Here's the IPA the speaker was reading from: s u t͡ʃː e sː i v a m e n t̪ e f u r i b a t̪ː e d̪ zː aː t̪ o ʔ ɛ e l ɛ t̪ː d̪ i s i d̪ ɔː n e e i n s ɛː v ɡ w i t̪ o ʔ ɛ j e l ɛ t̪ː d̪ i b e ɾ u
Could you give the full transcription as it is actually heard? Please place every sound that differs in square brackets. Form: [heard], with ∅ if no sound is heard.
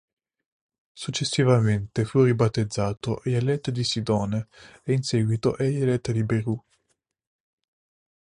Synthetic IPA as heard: s u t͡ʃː e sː i v a m e n t̪ e f u r i b a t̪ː e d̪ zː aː t̪ o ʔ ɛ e l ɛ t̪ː d̪ i s i d̪ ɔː n e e i n s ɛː [∅] ɡ w i t̪ o ʔ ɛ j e l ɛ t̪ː d̪ i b e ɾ u